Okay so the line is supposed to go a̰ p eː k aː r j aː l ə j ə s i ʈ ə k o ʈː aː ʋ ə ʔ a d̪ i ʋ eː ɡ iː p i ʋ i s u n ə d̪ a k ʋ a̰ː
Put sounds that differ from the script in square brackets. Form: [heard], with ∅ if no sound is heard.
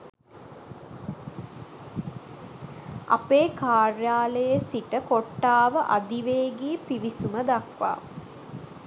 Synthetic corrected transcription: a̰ p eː k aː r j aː l ə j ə s i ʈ ə k o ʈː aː ʋ ə ʔ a d̪ i ʋ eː ɡ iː p i ʋ i s u [m] ə d̪ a k ʋ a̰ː